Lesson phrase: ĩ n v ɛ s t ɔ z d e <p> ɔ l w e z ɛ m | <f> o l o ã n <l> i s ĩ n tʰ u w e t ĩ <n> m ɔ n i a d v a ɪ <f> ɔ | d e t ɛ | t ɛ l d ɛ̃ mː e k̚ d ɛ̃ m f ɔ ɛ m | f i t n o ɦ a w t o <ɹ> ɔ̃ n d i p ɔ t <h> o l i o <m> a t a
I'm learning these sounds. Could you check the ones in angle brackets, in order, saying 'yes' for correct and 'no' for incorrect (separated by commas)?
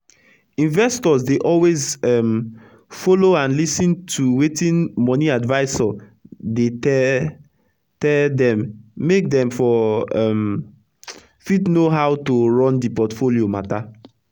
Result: no, yes, yes, yes, no, yes, no, yes